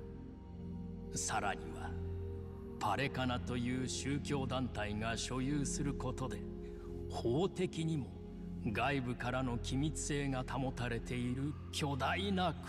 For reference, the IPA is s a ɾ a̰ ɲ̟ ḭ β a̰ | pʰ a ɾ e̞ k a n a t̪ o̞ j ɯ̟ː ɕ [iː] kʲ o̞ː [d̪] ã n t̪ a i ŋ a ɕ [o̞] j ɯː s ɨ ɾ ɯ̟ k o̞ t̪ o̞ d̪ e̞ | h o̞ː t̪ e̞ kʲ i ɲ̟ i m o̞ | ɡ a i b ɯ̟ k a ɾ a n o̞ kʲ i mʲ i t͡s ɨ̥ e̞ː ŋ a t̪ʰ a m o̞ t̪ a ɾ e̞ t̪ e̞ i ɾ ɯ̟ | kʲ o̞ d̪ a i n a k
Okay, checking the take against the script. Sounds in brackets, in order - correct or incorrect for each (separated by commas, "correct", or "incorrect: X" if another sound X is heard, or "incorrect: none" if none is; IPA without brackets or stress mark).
incorrect: ɨː, correct, correct